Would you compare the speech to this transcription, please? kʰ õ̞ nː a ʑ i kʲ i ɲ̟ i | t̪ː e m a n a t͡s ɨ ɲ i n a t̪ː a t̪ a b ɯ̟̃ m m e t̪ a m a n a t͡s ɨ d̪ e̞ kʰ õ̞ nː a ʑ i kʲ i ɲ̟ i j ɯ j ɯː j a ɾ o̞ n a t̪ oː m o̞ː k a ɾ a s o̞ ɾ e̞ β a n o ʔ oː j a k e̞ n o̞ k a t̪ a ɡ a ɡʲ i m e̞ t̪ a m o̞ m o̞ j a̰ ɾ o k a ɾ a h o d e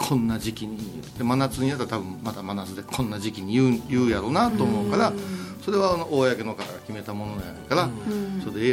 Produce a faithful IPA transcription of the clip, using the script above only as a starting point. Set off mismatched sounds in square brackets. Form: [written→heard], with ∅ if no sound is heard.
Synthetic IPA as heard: kʰ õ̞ nː a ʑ i kʲ i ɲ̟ i | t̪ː e m a n a t͡s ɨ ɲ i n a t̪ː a t̪ a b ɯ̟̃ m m [e→a] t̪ a m a n a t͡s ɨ d̪ e̞ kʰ õ̞ nː a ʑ i kʲ i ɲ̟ i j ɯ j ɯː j a ɾ o̞ n a t̪ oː m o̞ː k a ɾ a s o̞ ɾ e̞ β a n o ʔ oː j a k e̞ n o̞ k a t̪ a ɡ a [ɡʲ→kʲ] i m e̞ t̪ a m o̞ [m→n] o̞ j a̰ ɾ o k a ɾ a [h→s] o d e